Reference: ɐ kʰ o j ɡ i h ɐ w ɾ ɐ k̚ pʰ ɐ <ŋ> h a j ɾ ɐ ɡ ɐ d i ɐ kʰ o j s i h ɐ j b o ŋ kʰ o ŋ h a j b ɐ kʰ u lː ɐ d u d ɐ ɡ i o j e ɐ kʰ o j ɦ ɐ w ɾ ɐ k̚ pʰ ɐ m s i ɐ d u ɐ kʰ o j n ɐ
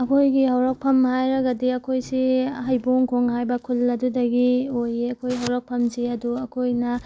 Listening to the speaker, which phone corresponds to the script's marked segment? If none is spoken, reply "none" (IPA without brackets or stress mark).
m